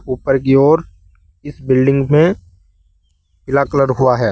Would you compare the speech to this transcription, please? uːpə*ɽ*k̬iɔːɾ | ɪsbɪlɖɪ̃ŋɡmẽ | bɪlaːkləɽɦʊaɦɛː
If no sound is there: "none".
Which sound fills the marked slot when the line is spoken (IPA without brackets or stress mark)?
ɾ